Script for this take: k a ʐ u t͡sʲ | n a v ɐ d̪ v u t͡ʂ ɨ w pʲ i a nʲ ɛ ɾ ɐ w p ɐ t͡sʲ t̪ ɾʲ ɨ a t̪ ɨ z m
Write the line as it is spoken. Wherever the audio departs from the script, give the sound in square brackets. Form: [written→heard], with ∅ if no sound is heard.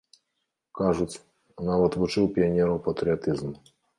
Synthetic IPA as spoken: k a ʐ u t͡sʲ | n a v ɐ [d̪→t̪] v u t͡ʂ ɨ w pʲ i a nʲ ɛ ɾ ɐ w p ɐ [t͡sʲ→∅] t̪ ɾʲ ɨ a t̪ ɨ z m